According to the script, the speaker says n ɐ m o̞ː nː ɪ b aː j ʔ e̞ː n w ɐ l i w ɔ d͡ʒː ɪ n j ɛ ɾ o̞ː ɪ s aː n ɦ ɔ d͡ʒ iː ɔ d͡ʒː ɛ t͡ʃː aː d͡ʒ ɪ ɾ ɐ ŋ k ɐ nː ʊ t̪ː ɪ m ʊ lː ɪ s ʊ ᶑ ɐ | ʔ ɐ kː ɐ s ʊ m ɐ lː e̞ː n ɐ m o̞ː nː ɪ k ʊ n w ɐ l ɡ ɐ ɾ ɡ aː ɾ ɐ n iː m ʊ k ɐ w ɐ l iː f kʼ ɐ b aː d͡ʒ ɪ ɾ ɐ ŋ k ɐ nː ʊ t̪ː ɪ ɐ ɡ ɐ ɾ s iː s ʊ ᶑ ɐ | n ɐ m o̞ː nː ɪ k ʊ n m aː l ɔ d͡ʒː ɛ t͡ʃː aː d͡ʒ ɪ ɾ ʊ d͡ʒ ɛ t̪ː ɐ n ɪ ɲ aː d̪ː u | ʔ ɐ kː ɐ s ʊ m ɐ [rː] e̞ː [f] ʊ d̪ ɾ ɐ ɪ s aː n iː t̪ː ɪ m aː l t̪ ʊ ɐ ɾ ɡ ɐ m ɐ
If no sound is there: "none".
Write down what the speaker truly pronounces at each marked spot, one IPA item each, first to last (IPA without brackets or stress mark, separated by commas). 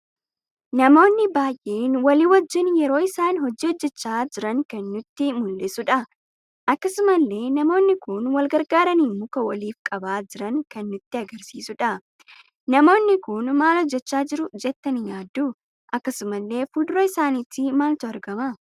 lː, f